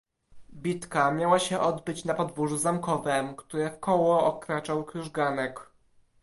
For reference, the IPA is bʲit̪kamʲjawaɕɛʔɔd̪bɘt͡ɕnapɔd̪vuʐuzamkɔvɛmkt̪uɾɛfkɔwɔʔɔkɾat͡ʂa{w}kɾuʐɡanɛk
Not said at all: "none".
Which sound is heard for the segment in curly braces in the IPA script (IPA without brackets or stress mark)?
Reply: w